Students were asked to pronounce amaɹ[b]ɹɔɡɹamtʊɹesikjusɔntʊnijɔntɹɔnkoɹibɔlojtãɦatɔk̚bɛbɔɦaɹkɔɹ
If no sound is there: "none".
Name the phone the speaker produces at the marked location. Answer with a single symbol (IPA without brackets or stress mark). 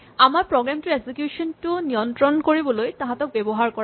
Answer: p